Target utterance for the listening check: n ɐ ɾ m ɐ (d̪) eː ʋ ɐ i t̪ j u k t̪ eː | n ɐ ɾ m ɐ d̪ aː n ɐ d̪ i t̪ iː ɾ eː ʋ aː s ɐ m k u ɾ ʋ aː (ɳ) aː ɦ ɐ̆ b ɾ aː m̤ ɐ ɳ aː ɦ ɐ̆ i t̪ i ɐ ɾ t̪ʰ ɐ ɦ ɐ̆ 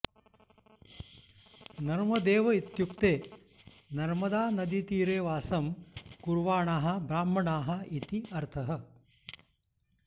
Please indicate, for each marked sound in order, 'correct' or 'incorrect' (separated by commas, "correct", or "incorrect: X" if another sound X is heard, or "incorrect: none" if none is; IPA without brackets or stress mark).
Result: correct, correct